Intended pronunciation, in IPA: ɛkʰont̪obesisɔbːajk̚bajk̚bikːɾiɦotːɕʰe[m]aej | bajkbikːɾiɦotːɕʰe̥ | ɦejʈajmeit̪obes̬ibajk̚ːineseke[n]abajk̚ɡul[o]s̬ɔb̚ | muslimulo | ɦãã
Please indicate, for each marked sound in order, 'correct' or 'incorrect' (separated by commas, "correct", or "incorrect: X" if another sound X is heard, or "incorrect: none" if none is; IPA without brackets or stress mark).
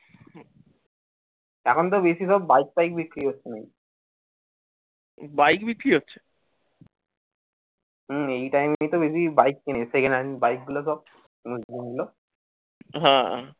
incorrect: n, correct, correct